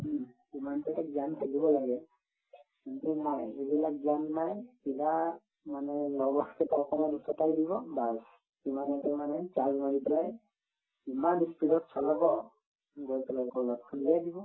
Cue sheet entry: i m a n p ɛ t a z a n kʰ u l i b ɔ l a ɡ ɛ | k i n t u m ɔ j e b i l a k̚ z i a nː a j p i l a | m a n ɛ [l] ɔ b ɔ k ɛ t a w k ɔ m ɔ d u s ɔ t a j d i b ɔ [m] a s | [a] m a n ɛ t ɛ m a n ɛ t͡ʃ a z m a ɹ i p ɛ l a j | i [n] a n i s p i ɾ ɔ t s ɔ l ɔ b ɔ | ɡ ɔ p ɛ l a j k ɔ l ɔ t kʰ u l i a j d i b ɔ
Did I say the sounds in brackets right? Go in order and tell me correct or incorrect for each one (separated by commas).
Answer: correct, incorrect, incorrect, incorrect